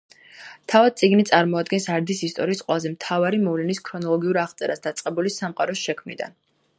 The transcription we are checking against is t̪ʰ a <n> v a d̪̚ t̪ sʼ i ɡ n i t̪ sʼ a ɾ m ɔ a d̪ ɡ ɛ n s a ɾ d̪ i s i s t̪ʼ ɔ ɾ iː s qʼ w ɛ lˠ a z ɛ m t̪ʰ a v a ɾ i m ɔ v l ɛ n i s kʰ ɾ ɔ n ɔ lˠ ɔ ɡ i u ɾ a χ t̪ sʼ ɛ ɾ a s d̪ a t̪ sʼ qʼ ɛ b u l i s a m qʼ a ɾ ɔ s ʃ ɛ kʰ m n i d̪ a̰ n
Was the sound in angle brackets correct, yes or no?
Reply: no